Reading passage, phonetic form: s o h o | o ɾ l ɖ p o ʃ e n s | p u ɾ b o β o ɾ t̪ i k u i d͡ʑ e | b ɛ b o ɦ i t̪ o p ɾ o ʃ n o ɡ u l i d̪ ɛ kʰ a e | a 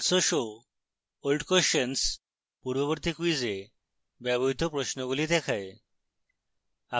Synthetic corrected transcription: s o ʃ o | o l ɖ k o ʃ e n s | p u ɾ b o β o ɾ t̪ i k u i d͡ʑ e | b ɛ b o ɦ i t̪ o p ɾ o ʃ n o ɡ u l i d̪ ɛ kʰ a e | a